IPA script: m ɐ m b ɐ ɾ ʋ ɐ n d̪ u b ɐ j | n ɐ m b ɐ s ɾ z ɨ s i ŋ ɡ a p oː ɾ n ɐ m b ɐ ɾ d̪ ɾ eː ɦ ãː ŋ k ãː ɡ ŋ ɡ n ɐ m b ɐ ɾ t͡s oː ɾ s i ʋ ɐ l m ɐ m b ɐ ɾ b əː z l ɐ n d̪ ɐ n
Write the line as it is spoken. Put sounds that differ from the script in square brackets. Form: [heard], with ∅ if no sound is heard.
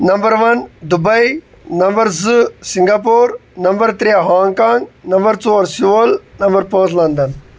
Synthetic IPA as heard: [n] ɐ m b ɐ ɾ ʋ ɐ n d̪ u b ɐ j | n ɐ m b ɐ [∅] ɾ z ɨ s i ŋ ɡ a p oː ɾ n ɐ m b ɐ ɾ [t̪] ɾ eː ɦ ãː ŋ k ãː [∅] ŋ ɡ n ɐ m b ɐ ɾ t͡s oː ɾ s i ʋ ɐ l [n] ɐ m b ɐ ɾ [p] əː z l ɐ n d̪ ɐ n